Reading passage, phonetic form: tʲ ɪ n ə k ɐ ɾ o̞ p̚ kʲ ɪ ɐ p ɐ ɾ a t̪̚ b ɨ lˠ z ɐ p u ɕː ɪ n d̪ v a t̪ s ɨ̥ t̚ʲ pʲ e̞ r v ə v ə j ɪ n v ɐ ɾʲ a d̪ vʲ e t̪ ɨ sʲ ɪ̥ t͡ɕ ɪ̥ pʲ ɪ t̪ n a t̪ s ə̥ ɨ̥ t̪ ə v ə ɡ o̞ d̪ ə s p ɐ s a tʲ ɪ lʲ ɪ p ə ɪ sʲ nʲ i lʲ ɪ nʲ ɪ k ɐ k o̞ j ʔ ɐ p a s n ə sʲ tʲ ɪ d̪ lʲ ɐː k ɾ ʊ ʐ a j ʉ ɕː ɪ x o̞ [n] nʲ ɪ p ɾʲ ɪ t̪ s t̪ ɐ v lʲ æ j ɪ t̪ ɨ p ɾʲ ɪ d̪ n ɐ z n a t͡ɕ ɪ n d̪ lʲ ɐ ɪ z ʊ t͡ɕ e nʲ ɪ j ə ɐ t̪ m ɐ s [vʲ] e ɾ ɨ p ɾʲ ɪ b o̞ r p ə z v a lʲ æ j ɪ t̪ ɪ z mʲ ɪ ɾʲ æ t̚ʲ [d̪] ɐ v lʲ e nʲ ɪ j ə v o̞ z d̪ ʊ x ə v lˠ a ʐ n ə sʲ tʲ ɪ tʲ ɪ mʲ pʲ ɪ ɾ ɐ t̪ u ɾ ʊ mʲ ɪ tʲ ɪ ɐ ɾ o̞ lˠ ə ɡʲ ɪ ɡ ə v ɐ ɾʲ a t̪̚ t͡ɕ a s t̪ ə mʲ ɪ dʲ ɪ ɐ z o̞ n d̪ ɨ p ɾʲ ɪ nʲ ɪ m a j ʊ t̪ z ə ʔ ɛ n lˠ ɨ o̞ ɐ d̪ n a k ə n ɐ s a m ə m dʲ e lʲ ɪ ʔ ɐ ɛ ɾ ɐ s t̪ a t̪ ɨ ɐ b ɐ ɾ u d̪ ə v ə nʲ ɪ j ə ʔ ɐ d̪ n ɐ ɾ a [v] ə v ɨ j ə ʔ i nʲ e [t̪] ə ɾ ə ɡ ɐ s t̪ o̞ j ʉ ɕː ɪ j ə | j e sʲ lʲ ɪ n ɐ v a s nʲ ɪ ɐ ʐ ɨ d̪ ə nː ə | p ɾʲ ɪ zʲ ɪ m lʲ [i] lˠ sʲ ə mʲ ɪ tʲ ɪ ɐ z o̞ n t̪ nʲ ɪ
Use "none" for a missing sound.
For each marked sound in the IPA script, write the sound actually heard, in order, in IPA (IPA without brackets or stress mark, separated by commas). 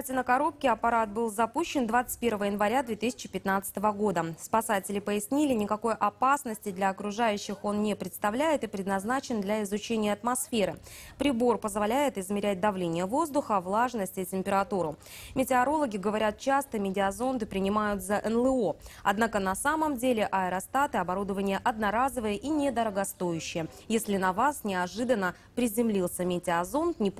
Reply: n, fʲ, d̪, z, d̪, i